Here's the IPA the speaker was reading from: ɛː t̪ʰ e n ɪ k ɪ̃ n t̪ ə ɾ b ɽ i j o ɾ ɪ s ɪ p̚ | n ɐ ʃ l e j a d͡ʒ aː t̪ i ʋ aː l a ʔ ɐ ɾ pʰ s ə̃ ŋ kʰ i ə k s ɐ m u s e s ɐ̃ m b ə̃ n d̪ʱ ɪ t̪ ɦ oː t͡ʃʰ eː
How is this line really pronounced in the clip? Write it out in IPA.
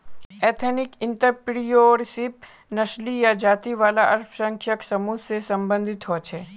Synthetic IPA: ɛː t̪ʰ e n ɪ k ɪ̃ n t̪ ə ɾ p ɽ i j o ɾ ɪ s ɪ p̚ | n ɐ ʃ l i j a d͡ʒ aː t̪ i ʋ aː l a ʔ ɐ ɾ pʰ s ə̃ ŋ kʰ j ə k s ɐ m u s e s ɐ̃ m b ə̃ n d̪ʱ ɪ t̪ ɦ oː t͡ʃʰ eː